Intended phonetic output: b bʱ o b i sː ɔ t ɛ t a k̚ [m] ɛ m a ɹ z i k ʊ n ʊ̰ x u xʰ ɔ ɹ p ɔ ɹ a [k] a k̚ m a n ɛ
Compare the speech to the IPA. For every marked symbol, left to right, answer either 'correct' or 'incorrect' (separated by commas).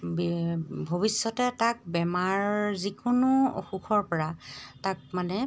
incorrect, incorrect